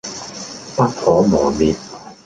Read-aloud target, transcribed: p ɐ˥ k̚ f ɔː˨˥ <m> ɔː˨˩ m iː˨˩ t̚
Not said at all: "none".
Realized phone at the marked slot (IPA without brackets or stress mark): m